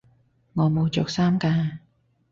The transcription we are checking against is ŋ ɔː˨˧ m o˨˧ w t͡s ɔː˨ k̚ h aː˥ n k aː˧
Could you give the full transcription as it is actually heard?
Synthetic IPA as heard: ŋ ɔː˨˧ m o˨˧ w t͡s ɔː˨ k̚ s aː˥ m k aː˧